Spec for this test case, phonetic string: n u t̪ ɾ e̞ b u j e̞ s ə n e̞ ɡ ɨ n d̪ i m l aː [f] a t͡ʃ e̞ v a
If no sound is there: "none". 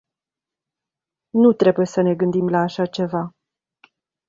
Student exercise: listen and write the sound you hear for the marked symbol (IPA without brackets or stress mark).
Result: ʃ